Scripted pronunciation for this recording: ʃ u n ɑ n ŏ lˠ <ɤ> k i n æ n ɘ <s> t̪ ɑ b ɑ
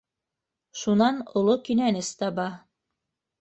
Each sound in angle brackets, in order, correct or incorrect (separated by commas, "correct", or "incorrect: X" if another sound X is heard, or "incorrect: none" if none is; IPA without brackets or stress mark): incorrect: o, correct